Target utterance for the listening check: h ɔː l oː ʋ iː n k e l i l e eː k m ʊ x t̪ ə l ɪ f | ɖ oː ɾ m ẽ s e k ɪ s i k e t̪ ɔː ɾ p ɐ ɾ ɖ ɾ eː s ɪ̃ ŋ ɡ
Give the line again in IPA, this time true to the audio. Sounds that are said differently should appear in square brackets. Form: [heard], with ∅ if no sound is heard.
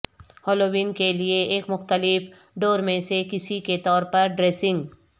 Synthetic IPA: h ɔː l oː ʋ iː n k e l i [∅] e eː k m ʊ x t̪ ə l ɪ f | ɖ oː ɾ m ẽ s e k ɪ s i k e t̪ ɔː ɾ p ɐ ɾ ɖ ɾ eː s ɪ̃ ŋ ɡ